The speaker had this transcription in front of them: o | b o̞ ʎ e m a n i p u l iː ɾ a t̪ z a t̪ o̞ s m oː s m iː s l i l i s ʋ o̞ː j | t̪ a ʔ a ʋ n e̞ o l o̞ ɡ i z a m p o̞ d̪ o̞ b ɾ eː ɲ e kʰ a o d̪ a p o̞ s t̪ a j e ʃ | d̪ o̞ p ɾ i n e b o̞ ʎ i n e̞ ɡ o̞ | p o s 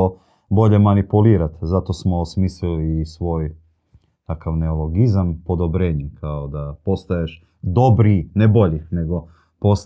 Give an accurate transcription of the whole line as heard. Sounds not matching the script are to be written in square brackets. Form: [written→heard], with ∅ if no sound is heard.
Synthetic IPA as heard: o | b o̞ ʎ e m a n i p u l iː ɾ a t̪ z a t̪ o̞ s m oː s m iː s l i l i s ʋ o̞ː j | t̪ a [ʔ→k] a ʋ n e̞ o l o̞ ɡ i z a m p o̞ d̪ o̞ b ɾ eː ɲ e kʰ a o d̪ a p o̞ s t̪ a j e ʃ | d̪ o̞ [p→b] ɾ i n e b o̞ ʎ i n e̞ ɡ o̞ | p o s